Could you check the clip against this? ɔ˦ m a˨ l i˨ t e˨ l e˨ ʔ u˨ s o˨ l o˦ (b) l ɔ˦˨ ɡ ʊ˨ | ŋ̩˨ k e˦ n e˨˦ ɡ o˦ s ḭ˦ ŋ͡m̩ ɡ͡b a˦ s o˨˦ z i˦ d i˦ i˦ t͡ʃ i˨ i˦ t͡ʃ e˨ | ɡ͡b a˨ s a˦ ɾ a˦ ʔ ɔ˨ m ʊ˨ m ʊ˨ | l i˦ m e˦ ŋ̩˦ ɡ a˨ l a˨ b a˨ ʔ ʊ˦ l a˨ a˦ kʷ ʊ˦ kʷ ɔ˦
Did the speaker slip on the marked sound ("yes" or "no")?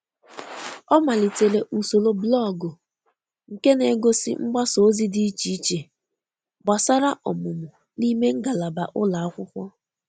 no